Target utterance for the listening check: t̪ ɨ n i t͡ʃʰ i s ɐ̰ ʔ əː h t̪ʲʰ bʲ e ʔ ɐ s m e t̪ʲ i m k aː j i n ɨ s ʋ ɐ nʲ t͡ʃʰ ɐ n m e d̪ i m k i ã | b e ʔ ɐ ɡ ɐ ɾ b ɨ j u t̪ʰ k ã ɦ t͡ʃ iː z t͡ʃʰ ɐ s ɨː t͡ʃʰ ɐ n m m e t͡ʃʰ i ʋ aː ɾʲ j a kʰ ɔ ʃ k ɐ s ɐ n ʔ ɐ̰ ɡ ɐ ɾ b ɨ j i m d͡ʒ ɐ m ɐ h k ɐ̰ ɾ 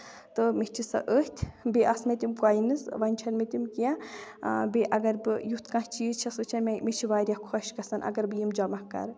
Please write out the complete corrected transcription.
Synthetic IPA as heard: t̪ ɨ m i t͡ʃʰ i s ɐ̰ ʔ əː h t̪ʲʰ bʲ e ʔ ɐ s m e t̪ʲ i m k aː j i n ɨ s ʋ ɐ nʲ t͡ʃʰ ɐ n m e t̪ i m k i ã | b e ʔ ɐ ɡ ɐ ɾ b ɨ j u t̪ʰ k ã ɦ t͡ʃ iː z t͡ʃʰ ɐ s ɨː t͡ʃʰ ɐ n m m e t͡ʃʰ i ʋ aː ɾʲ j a kʰ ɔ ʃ k ɐ s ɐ n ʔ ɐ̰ ɡ ɐ ɾ b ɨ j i m d͡ʒ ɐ m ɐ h k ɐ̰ ɾ